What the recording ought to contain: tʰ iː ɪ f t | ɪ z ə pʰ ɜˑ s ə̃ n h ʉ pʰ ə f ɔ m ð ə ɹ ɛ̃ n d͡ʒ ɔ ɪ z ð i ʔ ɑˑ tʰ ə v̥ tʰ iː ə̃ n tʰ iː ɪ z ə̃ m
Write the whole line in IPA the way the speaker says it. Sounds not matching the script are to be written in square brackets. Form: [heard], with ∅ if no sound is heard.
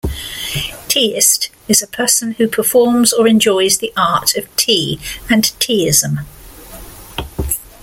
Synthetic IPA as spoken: tʰ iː ɪ [s] t | ɪ z ə pʰ ɜˑ s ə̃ n h ʉ pʰ ə f [ɔː] m [z] ə ɹ ɛ̃ n d͡ʒ ɔ ɪ z ð i ʔ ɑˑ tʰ ə v̥ tʰ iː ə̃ n tʰ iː ɪ z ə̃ m